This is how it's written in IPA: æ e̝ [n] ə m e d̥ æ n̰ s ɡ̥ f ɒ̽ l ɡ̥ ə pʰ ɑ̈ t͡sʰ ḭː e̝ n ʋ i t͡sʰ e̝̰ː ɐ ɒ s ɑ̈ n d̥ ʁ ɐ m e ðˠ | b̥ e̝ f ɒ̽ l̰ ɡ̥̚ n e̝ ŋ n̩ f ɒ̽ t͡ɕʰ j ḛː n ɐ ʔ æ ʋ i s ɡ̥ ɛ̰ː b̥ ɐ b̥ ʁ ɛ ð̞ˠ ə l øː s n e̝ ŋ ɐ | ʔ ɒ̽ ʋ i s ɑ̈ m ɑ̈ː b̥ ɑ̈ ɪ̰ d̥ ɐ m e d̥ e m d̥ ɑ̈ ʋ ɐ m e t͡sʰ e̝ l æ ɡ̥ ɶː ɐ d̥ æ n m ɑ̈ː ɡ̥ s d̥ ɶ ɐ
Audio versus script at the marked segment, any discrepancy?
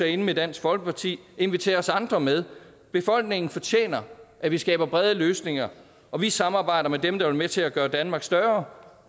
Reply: no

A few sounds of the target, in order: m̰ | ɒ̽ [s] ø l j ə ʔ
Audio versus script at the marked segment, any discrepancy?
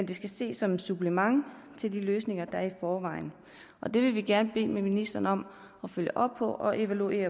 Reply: yes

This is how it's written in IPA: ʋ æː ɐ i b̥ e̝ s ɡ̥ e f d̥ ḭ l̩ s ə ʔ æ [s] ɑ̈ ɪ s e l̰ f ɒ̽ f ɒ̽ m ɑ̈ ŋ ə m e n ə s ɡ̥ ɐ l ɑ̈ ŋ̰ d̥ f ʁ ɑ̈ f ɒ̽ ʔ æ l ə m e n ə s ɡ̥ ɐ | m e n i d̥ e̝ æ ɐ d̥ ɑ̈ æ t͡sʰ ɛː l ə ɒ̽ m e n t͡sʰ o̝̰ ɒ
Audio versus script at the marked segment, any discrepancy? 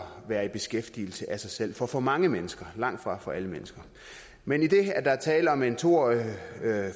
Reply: no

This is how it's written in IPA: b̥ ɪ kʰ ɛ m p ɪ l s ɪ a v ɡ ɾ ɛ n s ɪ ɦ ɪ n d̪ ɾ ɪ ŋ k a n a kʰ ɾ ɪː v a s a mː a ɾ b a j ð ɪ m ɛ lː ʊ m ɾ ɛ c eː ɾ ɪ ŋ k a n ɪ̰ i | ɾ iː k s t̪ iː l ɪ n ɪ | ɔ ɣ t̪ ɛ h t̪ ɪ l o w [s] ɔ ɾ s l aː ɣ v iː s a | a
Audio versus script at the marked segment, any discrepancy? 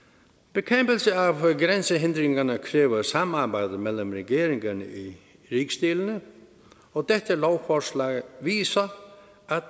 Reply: yes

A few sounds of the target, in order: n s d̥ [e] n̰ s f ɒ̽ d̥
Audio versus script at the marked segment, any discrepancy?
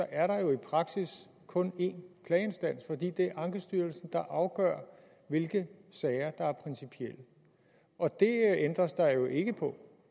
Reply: yes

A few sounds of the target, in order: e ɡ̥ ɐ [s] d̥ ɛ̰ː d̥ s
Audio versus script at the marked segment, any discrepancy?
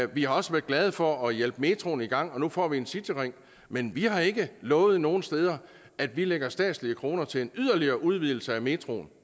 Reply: no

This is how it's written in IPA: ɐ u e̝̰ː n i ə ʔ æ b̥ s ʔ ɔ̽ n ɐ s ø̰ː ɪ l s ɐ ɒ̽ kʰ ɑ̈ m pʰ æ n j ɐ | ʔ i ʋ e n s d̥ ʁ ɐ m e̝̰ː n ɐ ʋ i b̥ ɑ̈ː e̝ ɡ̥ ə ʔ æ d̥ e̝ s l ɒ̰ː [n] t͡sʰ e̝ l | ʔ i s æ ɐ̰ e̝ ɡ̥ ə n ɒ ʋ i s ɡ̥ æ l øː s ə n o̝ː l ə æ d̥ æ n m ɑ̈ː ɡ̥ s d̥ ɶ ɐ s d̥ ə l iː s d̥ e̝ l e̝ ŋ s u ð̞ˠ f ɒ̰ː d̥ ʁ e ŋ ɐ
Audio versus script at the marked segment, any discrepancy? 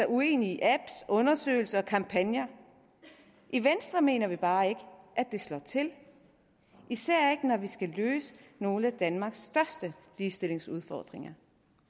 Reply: yes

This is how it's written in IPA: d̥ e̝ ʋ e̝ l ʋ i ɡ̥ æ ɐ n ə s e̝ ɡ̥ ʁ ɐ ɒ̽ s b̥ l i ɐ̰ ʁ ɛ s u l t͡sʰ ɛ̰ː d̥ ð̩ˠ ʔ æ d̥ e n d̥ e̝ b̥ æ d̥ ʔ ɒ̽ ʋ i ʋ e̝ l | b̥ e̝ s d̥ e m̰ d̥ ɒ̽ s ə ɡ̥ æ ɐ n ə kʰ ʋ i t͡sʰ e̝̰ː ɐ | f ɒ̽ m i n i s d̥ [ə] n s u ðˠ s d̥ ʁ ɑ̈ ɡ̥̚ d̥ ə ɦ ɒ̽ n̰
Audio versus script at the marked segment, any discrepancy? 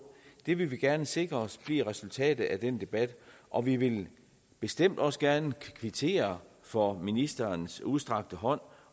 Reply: yes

